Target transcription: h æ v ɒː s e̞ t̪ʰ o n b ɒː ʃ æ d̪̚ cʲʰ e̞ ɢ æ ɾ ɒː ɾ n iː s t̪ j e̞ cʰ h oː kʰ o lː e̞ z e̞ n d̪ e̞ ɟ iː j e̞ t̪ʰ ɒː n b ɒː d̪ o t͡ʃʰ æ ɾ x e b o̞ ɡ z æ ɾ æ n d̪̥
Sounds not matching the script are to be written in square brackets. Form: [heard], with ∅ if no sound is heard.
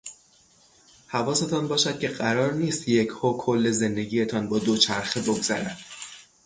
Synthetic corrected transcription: h æ v ɒː s e̞ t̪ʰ [ɒ] n b ɒː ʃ æ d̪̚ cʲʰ e̞ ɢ æ ɾ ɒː ɾ n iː s t̪ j e̞ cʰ h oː kʰ o lː e̞ z e̞ n d̪ e̞ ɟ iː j e̞ t̪ʰ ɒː n b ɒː d̪ o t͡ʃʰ æ ɾ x e b o̞ ɡ z æ ɾ æ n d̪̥